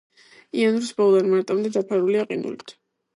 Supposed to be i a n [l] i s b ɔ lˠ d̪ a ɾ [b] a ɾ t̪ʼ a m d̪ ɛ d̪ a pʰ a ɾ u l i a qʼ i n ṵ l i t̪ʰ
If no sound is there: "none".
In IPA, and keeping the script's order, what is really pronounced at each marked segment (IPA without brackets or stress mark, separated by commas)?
ɾ, m